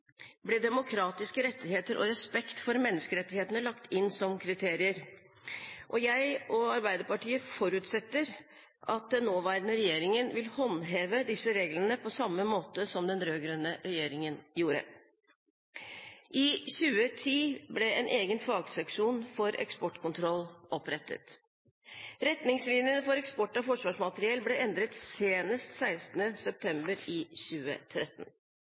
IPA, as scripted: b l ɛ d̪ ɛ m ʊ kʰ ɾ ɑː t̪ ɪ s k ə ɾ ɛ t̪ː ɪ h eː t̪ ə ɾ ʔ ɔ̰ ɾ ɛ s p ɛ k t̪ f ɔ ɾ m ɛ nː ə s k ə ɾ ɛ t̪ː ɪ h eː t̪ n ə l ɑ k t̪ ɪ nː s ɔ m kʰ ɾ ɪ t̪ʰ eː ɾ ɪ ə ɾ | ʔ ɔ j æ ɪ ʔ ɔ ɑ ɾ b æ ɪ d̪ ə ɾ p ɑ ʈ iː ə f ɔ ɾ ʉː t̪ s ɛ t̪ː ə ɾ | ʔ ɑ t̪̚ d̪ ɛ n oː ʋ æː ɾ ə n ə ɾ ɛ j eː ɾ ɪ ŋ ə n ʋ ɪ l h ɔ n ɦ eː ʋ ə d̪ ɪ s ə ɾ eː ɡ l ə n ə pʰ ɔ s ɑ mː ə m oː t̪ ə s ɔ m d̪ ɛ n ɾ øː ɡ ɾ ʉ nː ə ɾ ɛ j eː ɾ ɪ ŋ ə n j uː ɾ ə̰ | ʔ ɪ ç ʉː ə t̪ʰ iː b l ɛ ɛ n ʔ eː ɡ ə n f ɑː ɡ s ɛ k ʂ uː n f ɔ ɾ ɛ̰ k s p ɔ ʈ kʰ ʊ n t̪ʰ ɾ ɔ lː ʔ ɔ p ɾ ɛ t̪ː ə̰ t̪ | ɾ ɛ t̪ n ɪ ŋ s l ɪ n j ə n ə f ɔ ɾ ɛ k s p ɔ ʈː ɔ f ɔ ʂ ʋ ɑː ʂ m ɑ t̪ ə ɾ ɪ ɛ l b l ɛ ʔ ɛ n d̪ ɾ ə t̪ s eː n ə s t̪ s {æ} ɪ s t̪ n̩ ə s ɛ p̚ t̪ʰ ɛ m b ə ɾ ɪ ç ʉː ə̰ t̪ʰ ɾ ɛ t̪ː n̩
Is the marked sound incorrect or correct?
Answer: correct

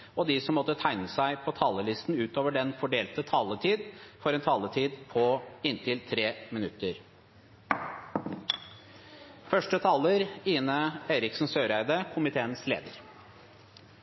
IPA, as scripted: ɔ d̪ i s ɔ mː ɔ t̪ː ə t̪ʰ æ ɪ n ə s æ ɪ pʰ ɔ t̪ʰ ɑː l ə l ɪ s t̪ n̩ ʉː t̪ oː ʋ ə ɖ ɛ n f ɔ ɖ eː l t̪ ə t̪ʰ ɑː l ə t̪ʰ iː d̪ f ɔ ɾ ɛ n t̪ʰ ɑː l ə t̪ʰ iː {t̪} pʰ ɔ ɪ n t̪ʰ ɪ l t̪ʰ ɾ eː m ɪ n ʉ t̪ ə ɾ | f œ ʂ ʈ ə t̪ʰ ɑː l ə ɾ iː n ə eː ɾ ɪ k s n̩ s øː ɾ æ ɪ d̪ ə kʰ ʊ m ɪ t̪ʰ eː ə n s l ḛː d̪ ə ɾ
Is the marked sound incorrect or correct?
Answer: incorrect: d̪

